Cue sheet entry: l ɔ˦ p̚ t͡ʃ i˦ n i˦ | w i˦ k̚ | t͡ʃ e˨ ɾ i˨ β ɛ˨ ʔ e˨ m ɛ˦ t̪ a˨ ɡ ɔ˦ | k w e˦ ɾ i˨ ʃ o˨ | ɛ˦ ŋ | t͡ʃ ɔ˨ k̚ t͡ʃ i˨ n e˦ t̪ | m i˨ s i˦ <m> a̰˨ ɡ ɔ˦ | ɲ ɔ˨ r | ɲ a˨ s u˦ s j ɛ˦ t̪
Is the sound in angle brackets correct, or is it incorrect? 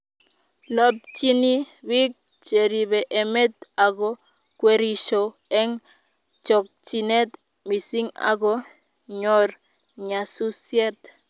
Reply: incorrect: ŋ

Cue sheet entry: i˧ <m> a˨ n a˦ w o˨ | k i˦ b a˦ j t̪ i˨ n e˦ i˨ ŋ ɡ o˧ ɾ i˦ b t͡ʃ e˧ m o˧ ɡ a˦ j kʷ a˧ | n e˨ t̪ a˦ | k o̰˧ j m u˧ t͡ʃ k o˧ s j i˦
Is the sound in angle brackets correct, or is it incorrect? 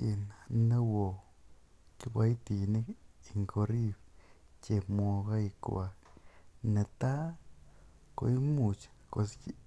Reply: incorrect: n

